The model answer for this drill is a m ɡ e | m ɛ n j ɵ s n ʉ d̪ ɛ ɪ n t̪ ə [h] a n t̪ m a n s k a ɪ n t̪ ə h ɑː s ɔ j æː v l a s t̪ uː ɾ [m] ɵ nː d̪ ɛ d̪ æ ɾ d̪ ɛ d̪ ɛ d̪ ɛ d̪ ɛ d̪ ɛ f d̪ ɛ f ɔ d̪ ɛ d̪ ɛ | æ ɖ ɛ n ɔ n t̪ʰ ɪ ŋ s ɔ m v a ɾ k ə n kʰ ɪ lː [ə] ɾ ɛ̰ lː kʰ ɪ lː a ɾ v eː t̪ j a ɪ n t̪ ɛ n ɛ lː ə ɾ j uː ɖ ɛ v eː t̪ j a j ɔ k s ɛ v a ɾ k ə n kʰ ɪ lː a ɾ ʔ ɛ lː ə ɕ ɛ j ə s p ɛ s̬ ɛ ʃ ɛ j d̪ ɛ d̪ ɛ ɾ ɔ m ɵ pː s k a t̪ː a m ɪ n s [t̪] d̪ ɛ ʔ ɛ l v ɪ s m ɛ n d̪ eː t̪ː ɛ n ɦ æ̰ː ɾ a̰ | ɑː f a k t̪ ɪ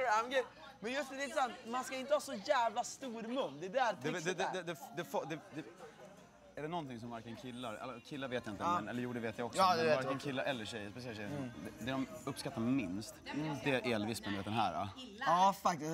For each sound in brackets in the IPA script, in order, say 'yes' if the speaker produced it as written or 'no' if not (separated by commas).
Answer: no, yes, no, yes